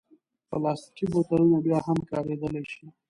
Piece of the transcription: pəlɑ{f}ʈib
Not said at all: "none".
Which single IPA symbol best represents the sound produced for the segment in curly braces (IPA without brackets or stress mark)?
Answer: s